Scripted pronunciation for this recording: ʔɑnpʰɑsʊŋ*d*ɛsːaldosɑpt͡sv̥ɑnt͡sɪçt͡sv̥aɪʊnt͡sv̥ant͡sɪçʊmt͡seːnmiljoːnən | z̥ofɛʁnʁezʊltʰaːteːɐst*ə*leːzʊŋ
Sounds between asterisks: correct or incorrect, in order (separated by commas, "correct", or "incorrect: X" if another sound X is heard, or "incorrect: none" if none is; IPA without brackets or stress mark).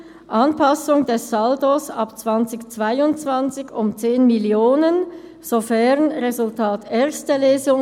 correct, correct